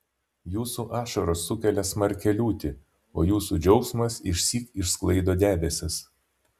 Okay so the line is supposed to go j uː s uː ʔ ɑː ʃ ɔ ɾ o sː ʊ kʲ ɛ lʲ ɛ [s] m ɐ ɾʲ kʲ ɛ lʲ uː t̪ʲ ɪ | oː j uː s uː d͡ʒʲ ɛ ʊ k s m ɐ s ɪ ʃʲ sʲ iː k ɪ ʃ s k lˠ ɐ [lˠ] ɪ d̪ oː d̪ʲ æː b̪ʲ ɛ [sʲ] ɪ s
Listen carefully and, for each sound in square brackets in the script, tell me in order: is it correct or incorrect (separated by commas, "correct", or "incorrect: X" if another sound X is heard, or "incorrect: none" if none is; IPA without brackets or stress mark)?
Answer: correct, incorrect: none, correct